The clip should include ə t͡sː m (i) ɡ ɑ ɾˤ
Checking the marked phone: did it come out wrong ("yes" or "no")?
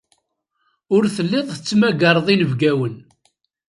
yes